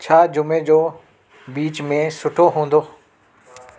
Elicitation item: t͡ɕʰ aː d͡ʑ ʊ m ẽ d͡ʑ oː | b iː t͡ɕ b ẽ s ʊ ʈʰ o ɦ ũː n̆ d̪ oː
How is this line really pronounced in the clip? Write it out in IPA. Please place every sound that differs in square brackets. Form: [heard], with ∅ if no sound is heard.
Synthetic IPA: t͡ɕʰ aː d͡ʑ ʊ m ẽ d͡ʑ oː | b iː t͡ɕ [m] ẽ s ʊ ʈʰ o ɦ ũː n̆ d̪ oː